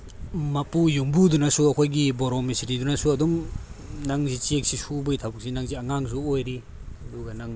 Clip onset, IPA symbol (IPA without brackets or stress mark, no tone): m